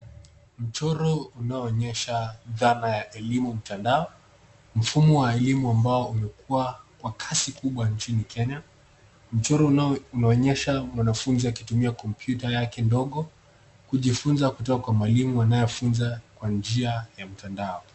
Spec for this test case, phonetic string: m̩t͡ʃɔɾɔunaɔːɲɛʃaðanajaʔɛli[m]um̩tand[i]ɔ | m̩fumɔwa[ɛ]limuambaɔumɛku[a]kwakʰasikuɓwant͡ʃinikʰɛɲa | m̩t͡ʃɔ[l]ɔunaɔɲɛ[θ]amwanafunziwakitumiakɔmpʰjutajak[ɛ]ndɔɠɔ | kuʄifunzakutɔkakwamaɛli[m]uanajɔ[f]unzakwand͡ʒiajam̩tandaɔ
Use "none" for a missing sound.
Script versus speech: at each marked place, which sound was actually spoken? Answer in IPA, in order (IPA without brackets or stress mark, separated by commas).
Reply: m, a, ɛ, a, ɾ, ʃ, ɛ, m, f